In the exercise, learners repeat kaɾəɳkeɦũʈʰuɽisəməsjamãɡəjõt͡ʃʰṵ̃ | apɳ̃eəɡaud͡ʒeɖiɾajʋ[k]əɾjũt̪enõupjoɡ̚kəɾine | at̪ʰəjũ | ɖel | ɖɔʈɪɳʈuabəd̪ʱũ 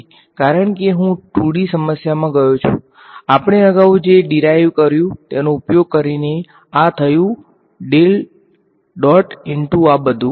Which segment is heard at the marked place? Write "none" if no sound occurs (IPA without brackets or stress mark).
k